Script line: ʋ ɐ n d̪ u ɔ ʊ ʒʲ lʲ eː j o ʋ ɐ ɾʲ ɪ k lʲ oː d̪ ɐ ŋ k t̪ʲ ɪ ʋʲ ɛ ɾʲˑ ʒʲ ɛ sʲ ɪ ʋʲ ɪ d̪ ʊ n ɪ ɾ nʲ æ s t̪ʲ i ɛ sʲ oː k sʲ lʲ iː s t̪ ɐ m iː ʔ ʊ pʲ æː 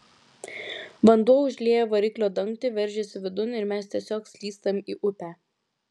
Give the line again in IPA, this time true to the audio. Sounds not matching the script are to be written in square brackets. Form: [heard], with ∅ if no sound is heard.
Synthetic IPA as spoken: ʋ ɐ n d̪ u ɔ ʊ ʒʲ lʲ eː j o ʋ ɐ ɾʲ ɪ k lʲ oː d̪ ɐ ŋ k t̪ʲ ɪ ʋʲ ɛ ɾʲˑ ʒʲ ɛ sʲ ɪ ʋʲ ɪ d̪ ʊ n ɪ ɾ [mʲ] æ s t̪ʲ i ɛ sʲ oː k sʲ lʲ iː s t̪ ɐ m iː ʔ ʊ pʲ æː